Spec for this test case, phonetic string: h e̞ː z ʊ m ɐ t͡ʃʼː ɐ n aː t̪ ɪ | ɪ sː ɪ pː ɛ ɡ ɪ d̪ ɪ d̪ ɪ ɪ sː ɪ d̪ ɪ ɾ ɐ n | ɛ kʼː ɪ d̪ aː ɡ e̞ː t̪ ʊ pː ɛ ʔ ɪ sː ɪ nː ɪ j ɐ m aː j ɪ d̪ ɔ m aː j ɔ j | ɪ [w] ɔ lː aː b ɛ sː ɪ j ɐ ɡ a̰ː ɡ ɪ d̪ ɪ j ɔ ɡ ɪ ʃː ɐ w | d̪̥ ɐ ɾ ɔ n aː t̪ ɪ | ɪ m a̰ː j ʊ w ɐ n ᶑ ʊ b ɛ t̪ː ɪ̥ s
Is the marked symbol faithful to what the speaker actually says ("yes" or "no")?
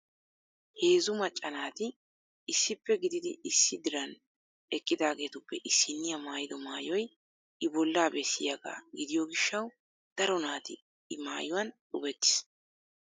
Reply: no